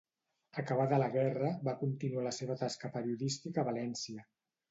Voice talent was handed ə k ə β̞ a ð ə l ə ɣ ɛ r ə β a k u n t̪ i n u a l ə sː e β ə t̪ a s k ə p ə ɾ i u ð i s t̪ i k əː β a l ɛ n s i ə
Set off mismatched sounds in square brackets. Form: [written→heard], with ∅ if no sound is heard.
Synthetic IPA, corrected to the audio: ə k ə β̞ a ð ə l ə ɣ ɛ r ə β a k u n t̪ i n u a l ə [sː→s] e β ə t̪ a s k ə p ə ɾ i u ð i s t̪ i k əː β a l ɛ n s i ə

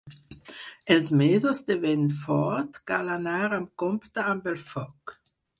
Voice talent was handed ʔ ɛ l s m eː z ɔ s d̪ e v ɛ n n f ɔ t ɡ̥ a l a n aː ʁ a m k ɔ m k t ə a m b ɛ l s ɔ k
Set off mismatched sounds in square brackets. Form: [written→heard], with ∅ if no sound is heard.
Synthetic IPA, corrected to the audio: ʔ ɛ l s m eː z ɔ s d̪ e v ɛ n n f ɔ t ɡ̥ a l a n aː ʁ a m k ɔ m [k→p] t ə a m b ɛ l [s→f] ɔ k

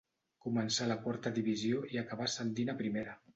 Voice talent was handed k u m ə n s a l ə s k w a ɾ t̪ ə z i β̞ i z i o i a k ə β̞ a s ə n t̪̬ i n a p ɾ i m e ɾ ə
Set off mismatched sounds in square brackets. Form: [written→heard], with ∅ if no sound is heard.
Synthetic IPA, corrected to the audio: k u m ə n s a l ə [s→∅] k w a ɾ t̪ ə [z→ð] i β̞ i z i o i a k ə β̞ a s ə n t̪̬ i n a p ɾ i m e ɾ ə

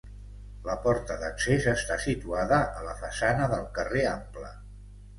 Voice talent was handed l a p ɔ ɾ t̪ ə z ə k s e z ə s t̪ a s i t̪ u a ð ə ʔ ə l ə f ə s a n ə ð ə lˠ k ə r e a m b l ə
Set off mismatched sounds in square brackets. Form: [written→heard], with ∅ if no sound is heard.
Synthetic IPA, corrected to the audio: l [a→ə] p ɔ ɾ t̪ ə [z→ð] ə k s e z ə s t̪ a s i t̪ u a ð ə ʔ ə l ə f ə s a n ə ð ə lˠ k ə r e a m [b→p] l ə

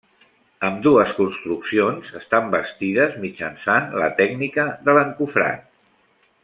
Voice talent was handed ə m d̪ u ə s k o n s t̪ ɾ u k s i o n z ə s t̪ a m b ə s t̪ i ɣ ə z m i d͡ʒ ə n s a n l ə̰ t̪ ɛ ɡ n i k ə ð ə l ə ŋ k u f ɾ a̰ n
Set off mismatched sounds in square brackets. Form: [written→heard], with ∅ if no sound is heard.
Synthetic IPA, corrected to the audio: ə m d̪ u ə s k [o→u] n s t̪ ɾ u k s i o n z ə s t̪ a m b ə s t̪ i [ɣ→ð] ə z m i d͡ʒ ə n s a n l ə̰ t̪ ɛ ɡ n i k ə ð ə l ə ŋ k u f ɾ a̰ n

